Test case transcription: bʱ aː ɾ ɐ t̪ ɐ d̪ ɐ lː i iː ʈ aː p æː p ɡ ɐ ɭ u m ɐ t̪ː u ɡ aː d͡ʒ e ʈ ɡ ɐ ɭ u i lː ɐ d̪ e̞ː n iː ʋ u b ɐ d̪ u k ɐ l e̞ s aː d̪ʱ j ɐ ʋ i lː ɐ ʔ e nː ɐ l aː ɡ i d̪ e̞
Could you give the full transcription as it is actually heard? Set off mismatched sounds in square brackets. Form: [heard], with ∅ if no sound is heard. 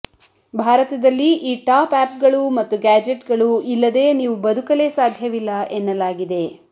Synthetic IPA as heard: bʱ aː ɾ ɐ t̪ ɐ d̪ ɐ lː i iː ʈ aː p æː p ɡ ɐ ɭ u m ɐ t̪ː u ɡ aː d͡ʒ e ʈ ɡ ɐ ɭ u i lː ɐ d̪ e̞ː n iː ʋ u b ɐ d̪ u k ɐ l e̞ s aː d̪ʱ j ɐ ʋ i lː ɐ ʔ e nː ɐ l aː ɡ i d̪ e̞